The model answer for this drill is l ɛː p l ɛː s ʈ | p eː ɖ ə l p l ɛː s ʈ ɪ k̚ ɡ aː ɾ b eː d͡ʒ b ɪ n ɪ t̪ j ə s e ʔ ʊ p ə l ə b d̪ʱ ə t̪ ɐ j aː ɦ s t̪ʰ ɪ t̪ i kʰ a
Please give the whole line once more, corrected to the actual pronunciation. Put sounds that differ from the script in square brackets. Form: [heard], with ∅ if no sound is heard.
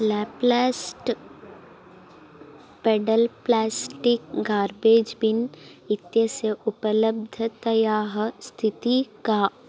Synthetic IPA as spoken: l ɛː p l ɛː s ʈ | p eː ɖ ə l p l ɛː s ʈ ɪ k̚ ɡ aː ɾ b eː d͡ʒ b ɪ n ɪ t̪ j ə s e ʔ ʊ p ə l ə b d̪ʱ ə t̪ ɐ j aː ɦ s t̪ʰ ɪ t̪ i [k] a